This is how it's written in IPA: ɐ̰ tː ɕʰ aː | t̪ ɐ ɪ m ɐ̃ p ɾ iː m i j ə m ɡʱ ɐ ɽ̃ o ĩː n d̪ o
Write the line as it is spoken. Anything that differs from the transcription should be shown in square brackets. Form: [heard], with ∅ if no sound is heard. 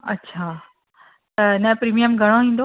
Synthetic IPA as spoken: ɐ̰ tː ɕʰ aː | t̪ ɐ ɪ [n] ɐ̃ p ɾ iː m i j ə m ɡʱ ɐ ɽ̃ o ĩː n d̪ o